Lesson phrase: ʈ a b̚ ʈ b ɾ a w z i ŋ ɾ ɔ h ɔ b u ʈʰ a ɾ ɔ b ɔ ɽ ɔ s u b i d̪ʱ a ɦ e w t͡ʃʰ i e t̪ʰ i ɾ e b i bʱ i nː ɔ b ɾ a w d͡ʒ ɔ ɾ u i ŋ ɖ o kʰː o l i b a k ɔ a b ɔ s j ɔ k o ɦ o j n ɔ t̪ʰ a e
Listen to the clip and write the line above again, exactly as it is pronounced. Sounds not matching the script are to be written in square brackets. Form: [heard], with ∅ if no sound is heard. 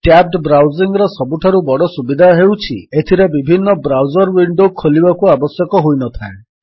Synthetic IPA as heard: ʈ a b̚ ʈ b ɾ a w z i ŋ ɾ ɔ [s] ɔ b u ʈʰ a ɾ [u] b ɔ ɽ ɔ s u b i d̪ʱ a ɦ e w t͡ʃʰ i e t̪ʰ i ɾ e b i bʱ i nː ɔ b ɾ a w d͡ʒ ɔ ɾ [w] i [ɳ] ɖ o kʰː o l i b a k [u] a b ɔ s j ɔ k [ɔ] ɦ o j n ɔ t̪ʰ a e